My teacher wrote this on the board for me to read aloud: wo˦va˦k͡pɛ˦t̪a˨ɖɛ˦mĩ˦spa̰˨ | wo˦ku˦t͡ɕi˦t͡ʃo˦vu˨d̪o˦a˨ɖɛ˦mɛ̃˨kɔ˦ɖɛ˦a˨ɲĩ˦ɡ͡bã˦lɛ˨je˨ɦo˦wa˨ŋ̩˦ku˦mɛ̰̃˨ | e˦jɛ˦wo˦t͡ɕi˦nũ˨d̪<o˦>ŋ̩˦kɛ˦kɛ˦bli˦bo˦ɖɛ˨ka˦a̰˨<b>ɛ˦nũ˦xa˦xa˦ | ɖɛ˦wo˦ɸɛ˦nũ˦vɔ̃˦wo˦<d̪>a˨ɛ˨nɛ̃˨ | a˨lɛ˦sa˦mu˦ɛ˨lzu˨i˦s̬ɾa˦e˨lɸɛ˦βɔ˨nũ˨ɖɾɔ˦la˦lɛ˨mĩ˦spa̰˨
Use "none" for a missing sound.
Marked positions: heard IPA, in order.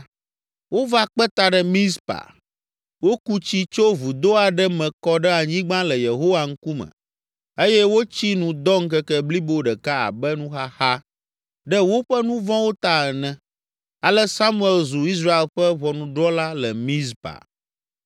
ɔ˦, b, t̪

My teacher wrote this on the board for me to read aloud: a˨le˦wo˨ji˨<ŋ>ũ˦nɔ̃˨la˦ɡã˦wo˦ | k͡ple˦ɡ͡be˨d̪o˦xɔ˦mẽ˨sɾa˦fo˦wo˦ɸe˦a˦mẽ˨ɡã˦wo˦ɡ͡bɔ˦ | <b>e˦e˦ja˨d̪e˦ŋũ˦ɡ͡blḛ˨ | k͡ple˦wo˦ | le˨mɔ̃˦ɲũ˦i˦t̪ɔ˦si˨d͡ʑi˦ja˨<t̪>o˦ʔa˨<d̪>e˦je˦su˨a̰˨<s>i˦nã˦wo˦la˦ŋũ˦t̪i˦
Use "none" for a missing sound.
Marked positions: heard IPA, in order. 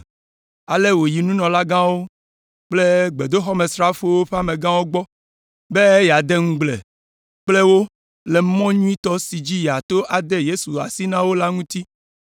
n, b, t̪, d̪, s

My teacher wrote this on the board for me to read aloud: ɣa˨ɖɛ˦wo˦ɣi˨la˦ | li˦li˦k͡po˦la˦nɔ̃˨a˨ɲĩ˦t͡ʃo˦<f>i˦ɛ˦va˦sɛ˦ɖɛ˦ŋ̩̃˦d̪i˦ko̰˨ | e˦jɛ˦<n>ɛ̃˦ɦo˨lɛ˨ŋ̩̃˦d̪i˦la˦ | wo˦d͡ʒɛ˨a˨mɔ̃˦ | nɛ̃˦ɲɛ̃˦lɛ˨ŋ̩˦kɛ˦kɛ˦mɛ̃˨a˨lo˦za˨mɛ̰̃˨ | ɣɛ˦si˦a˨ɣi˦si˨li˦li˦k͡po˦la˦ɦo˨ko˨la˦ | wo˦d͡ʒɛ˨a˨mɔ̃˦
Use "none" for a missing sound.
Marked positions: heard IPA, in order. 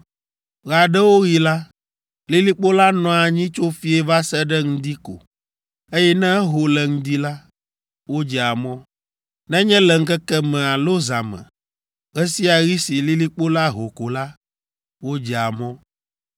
f, n

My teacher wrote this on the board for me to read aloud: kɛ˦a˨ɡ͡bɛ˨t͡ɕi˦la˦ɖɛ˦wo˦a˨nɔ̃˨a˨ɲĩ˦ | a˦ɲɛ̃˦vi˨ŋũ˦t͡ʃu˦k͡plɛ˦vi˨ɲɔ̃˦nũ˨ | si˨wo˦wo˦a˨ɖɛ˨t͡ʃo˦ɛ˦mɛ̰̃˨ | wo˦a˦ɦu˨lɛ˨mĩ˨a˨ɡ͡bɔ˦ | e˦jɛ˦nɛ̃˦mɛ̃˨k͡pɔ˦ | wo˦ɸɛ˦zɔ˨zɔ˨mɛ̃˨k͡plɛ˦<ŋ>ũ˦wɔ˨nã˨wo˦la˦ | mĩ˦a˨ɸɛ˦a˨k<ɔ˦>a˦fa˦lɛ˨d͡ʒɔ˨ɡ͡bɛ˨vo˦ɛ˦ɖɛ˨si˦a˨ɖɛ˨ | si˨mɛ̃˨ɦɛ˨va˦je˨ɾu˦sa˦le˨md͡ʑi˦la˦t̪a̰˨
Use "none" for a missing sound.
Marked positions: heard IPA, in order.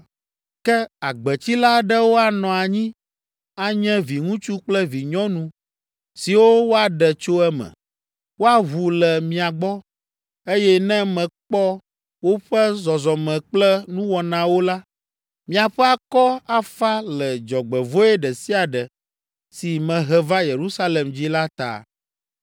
n, ɔ˦

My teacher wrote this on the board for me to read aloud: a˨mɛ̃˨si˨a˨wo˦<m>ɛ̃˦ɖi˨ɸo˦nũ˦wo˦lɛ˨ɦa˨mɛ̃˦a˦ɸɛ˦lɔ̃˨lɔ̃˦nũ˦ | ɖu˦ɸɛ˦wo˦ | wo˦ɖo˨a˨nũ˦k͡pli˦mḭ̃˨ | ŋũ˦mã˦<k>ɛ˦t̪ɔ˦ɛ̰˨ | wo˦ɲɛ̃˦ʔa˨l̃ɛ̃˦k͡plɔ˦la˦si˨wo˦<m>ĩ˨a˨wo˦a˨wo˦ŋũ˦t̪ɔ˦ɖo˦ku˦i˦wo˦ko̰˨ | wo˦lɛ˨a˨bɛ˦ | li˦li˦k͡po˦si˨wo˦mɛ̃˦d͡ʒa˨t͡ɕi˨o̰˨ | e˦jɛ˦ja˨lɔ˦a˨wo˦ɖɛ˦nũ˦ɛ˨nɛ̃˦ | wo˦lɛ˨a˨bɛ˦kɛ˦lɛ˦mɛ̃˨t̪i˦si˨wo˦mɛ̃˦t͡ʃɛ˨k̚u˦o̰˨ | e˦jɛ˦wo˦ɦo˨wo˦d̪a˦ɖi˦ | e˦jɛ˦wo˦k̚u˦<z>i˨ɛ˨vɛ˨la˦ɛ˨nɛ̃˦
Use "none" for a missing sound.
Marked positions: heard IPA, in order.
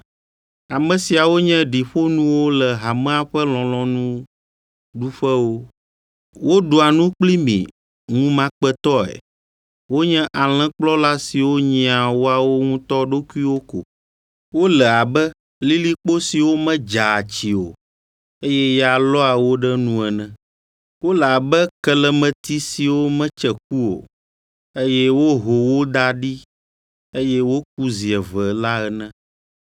ɲ, k͡p, ɲ, z

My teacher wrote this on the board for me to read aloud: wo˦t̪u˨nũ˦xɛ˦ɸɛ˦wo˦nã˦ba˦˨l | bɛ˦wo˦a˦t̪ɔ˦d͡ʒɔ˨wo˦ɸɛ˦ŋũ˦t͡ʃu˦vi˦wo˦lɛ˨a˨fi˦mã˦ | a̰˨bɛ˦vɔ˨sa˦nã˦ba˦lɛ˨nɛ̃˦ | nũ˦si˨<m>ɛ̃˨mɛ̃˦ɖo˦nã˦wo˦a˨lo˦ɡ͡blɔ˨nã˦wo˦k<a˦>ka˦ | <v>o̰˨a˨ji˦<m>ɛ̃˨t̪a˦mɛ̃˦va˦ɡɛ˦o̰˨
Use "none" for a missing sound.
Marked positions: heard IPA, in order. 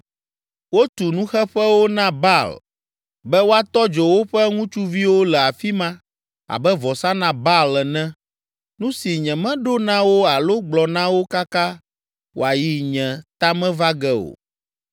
ɲ, a˦, w, ɲ

